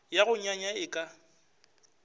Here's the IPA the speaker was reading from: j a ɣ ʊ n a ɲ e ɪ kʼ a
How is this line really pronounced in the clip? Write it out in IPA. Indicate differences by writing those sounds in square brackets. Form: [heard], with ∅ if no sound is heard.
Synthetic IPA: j a ɣ ʊ [ɲ] a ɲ [a] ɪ kʼ a